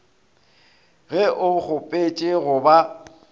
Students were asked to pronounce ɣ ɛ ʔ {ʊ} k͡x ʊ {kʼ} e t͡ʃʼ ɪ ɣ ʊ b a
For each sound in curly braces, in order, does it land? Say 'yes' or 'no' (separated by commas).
yes, no